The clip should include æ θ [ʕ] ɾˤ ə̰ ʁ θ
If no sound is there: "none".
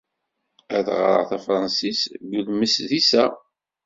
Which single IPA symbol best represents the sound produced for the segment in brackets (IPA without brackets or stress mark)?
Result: ʁ